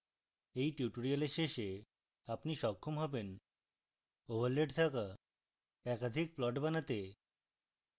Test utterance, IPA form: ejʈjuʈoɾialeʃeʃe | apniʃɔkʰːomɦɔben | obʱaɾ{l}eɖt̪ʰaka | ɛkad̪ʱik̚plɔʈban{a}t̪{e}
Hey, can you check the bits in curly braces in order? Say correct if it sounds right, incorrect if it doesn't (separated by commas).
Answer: correct, correct, correct